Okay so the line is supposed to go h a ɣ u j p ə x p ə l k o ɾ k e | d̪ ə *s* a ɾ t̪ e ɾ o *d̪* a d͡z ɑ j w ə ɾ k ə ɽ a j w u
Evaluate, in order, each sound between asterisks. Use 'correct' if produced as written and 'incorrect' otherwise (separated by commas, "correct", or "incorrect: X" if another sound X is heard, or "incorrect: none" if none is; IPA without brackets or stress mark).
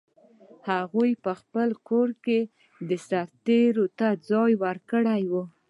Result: correct, incorrect: t̪